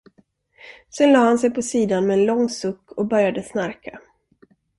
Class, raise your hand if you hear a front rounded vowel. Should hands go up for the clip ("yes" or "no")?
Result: yes